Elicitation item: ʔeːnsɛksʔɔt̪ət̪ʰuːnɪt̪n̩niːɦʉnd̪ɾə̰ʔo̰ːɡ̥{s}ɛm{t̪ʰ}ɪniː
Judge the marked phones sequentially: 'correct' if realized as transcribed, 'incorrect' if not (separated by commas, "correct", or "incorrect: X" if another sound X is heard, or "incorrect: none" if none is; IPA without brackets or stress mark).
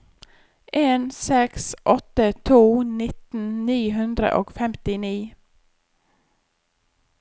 incorrect: f, incorrect: t̪